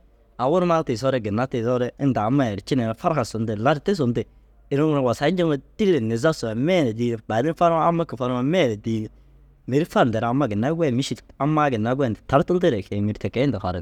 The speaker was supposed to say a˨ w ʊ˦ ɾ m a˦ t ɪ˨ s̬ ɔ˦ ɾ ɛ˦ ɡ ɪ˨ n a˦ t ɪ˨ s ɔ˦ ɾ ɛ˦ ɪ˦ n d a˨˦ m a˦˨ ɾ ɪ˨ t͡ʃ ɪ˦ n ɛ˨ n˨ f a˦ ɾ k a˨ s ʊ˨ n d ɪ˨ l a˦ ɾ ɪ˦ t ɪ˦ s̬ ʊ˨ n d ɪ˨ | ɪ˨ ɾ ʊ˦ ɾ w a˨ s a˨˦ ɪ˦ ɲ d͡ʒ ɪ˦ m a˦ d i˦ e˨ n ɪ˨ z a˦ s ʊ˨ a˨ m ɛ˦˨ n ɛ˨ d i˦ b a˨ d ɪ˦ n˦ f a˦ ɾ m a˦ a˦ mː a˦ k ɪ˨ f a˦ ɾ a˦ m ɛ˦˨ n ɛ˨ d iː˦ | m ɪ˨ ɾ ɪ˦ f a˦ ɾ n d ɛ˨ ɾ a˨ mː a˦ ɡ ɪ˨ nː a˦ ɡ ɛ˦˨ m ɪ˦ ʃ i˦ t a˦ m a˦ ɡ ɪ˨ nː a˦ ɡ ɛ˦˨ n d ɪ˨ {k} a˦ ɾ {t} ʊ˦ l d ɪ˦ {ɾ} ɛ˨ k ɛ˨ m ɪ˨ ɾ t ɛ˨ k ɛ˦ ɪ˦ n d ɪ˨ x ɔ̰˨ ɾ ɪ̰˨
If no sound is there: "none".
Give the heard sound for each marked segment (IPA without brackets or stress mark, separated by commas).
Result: t, t, ɾ